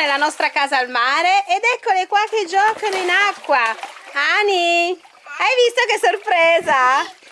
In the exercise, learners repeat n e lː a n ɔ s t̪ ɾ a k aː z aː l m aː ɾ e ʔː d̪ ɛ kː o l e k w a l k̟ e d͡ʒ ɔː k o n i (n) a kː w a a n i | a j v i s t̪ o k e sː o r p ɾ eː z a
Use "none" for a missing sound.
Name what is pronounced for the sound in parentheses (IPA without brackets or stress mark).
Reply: n